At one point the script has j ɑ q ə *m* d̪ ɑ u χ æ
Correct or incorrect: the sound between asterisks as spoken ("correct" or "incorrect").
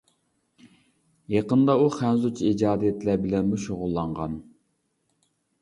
incorrect